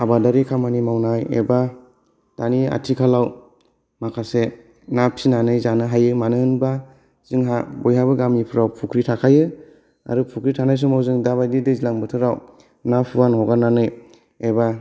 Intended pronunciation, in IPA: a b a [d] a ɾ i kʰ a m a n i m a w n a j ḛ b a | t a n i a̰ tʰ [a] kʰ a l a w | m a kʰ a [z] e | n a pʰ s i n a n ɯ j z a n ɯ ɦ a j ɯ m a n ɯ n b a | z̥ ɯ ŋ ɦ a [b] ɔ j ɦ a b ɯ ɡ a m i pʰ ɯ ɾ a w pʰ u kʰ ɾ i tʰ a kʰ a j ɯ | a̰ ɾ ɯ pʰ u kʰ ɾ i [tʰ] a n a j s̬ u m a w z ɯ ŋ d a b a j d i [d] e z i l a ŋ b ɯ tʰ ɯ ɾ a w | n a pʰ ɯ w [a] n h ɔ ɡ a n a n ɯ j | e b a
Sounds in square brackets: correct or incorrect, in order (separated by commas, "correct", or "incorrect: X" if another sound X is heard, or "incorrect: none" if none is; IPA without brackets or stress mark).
correct, incorrect: i, incorrect: s, correct, correct, correct, correct